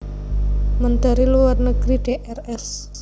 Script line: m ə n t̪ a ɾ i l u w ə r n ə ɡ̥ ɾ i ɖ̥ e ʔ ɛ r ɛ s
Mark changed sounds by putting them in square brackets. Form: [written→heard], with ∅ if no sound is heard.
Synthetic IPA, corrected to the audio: m ə n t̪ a ɾ i l u w [ə→a] r n ə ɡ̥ ɾ i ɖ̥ e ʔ ɛ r ɛ s